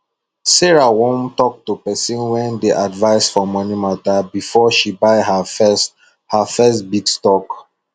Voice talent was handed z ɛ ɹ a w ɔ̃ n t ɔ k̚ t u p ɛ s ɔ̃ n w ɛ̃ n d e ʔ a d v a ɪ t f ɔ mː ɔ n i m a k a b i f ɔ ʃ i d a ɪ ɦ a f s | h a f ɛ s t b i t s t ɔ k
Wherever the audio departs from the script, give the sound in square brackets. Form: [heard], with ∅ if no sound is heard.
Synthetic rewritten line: [s] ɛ ɹ a w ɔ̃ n t ɔ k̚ t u p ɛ s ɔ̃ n w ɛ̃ n d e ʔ a d v a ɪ [s] f ɔ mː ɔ n i m a [t] a b i f ɔ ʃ i [b] a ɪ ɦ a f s | h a f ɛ s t b i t s t ɔ k